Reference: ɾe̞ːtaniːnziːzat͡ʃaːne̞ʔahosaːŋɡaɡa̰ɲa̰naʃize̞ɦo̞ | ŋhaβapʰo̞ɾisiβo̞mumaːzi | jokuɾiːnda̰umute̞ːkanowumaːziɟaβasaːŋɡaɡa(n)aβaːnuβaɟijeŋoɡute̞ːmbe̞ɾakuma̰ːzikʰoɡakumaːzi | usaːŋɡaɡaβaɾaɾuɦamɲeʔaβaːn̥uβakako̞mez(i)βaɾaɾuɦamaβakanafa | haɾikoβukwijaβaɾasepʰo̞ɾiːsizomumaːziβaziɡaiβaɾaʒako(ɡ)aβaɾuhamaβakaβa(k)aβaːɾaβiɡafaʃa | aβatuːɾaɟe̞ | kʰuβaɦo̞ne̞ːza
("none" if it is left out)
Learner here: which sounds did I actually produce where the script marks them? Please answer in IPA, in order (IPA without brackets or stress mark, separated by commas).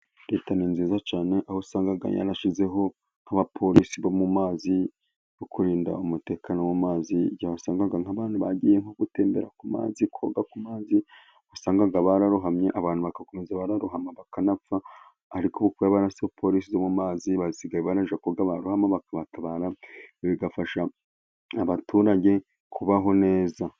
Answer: ŋ, a, ɡ, t